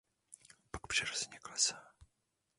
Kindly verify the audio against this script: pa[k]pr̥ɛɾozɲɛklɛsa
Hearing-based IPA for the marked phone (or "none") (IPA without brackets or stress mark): k